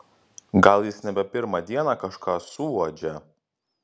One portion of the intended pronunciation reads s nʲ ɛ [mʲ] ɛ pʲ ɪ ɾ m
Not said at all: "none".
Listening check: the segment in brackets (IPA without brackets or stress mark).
bʲ